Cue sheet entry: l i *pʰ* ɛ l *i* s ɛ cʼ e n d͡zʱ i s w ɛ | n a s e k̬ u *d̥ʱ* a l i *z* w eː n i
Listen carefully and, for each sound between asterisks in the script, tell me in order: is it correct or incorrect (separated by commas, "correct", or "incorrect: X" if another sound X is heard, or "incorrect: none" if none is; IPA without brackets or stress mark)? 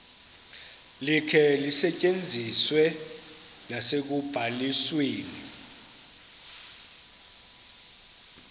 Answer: incorrect: kʰ, correct, incorrect: b̥ʱ, incorrect: s